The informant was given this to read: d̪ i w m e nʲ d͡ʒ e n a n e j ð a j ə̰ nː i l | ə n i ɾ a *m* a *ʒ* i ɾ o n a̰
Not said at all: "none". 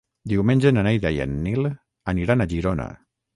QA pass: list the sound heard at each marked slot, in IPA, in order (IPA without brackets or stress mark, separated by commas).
n, ʒ